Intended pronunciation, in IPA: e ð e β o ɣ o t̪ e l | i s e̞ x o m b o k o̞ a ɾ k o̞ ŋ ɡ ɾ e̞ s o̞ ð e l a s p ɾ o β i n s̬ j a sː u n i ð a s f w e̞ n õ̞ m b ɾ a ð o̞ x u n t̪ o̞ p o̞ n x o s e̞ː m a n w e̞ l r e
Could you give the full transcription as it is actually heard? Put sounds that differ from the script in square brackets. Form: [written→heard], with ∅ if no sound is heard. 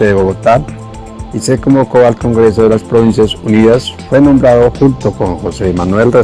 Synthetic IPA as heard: e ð e β o ɣ o t̪ [e→a] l | i s e̞ [x→k] o m b o k o̞ a [ɾ→l] k o̞ ŋ ɡ ɾ e̞ s o̞ ð e l a s p ɾ o β i n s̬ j a [sː→s] u n i ð a s f w e̞ n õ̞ m b ɾ a ð o̞ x u n t̪ o̞ [p→k] o̞ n x o s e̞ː m a n w e̞ l r e